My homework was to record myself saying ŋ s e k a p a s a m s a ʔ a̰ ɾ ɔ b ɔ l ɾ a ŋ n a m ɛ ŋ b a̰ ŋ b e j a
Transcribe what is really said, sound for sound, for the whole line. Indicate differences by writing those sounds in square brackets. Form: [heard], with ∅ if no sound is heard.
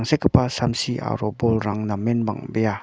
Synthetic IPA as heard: ŋ s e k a p a s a m s [i] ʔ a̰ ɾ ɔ b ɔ l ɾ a ŋ n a m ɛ [n] b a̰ ŋ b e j a